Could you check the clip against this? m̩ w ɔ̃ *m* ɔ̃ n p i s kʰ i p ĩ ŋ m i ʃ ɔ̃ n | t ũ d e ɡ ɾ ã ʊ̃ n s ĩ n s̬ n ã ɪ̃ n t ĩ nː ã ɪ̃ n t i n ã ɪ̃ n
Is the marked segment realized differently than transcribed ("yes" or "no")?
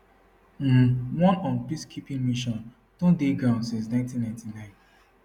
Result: yes